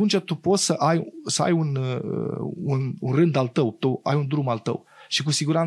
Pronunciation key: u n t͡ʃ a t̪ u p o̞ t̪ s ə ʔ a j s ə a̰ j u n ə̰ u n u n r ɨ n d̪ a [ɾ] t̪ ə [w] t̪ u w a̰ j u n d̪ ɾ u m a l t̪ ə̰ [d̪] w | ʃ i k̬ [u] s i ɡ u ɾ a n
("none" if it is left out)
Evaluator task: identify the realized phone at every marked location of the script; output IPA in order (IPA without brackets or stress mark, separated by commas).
l, w, none, u